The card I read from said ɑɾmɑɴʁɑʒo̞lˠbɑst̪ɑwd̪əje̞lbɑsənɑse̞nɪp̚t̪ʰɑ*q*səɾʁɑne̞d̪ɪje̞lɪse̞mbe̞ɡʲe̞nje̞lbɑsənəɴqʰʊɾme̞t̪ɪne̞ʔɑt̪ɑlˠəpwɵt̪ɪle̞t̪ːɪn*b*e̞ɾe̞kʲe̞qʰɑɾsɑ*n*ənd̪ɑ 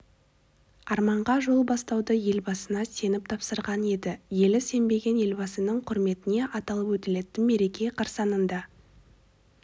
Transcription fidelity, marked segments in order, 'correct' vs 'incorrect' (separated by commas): incorrect, incorrect, correct